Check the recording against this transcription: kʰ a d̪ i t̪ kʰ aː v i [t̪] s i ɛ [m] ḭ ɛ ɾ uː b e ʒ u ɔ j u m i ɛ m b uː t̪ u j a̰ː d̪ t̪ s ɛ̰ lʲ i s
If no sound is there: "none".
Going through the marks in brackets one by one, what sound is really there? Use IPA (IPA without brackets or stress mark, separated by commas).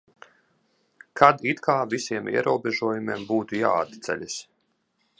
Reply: none, m